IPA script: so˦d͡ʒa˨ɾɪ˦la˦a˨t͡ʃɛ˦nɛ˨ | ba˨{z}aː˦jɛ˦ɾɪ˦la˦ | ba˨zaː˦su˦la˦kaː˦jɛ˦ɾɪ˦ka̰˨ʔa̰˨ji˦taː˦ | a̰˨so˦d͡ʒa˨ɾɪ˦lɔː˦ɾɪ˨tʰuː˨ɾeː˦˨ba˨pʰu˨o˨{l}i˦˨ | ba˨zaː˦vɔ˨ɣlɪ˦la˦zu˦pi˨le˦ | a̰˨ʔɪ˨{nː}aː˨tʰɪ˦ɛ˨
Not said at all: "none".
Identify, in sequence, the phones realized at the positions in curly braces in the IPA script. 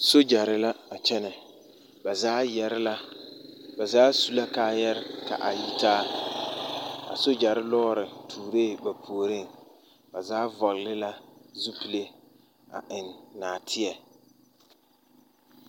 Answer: z, ɾ, nː

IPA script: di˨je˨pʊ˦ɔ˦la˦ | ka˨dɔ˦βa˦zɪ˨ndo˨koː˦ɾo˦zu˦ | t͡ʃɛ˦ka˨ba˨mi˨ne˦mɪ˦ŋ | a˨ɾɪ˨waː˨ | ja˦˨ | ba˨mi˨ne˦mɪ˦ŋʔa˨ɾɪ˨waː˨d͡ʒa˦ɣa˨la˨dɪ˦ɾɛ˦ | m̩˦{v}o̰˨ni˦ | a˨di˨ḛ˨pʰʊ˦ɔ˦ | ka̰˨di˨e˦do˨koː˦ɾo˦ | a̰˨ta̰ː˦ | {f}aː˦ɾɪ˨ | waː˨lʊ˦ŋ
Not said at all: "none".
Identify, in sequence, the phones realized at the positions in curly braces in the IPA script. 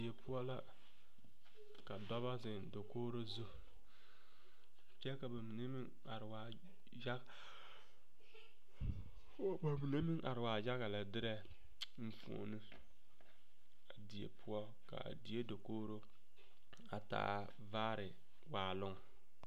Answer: f, v

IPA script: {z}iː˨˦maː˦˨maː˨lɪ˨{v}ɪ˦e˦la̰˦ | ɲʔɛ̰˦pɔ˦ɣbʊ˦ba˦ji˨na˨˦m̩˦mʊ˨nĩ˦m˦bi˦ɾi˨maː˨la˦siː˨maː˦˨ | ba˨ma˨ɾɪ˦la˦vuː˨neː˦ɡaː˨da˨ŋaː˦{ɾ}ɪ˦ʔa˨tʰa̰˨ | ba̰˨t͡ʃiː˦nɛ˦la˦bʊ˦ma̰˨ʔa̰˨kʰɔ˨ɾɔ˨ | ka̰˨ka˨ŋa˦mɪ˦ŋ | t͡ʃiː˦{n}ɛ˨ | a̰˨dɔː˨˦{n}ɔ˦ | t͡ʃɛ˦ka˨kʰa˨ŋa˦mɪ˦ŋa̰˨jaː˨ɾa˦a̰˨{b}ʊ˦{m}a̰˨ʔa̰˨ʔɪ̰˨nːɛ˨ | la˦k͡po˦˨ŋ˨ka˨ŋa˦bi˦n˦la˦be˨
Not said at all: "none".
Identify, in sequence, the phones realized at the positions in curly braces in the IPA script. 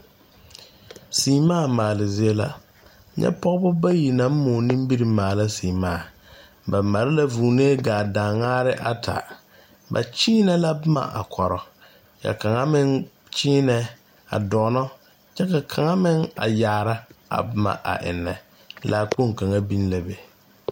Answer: s, z, ɾ, n, n, b, m

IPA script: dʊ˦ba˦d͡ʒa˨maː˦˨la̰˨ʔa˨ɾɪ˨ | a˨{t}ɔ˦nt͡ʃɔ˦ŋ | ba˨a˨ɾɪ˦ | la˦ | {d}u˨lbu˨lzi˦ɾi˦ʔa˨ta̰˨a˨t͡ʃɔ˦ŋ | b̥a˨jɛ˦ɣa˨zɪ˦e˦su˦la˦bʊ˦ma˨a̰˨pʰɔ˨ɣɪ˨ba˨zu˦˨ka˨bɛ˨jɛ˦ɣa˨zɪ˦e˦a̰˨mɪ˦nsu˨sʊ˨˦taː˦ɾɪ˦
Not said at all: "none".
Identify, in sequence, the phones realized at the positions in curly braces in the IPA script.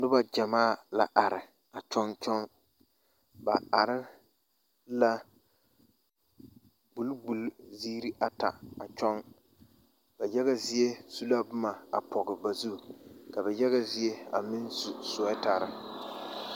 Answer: t͡ʃ, b

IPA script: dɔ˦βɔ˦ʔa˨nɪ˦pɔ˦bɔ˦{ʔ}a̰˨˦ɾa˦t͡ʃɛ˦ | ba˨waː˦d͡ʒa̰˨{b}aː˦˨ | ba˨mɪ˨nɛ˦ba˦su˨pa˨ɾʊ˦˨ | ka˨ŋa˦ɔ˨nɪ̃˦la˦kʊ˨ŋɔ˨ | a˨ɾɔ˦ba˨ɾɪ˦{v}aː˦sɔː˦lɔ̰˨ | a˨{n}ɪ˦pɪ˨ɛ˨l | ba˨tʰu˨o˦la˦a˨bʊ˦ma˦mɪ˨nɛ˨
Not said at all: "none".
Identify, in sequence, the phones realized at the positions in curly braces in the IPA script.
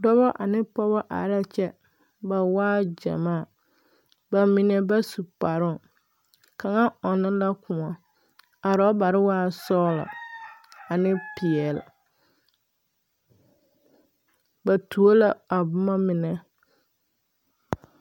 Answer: ʔ, m, w, n

